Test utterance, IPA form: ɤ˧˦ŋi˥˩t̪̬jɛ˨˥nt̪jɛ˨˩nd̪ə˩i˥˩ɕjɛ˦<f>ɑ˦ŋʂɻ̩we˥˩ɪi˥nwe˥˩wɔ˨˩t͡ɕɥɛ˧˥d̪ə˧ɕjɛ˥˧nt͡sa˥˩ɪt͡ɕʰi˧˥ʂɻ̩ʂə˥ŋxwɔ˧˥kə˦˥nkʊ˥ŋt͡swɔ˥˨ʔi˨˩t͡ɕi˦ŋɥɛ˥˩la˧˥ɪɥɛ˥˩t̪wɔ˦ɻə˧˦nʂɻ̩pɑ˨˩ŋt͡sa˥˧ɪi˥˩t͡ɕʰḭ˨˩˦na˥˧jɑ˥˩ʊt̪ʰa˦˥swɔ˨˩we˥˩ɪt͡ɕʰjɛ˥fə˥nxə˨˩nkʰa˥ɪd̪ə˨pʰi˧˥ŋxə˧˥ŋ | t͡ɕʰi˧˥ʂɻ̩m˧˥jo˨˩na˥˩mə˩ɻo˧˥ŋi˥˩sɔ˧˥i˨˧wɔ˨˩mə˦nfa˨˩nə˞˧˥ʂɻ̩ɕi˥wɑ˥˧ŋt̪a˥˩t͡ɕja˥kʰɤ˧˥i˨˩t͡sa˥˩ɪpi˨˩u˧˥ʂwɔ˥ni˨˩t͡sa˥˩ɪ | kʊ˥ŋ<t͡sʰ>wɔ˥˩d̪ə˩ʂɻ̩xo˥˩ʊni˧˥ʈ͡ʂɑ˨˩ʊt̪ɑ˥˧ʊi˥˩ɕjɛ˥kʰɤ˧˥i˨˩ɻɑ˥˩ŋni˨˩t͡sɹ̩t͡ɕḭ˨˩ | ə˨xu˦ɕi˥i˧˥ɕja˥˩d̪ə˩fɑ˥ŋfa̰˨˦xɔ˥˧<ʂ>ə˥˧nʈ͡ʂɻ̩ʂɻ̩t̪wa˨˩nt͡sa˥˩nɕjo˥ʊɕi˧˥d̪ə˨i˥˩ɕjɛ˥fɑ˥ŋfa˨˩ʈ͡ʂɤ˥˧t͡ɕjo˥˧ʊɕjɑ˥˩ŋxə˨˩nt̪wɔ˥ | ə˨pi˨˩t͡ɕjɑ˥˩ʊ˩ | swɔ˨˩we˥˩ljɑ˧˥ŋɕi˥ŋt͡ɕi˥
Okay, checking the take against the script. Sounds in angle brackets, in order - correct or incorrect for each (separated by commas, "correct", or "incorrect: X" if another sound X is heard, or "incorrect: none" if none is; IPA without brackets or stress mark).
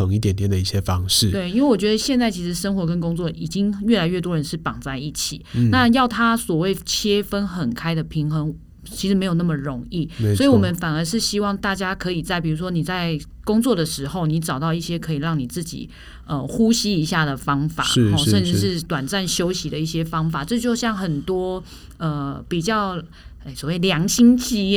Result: correct, incorrect: t͡s, correct